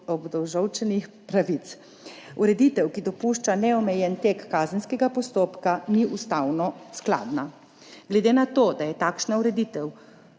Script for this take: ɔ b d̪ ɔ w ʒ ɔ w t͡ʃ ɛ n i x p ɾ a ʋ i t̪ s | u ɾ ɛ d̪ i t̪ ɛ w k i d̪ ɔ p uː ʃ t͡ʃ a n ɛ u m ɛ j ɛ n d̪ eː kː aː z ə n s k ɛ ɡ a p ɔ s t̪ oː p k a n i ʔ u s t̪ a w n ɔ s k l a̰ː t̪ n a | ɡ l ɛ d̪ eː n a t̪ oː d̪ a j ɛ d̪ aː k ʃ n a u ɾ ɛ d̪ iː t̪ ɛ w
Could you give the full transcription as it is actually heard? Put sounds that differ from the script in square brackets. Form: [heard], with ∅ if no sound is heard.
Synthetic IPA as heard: ɔ b d̪ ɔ w ʒ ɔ w t͡ʃ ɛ n i x p ɾ a ʋ i t̪ s | u ɾ ɛ d̪ i t̪ ɛ w k i d̪ ɔ p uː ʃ t͡ʃ a n ɛ [ɔ] m ɛ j ɛ n [t̪] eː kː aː z ə n s k ɛ ɡ a p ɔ s t̪ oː p k a n i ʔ u s t̪ a w n ɔ s k l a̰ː [d̪] n a | ɡ l ɛ d̪ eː n a t̪ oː d̪ a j ɛ [t̪] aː k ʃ n a u ɾ ɛ d̪ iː t̪ ɛ w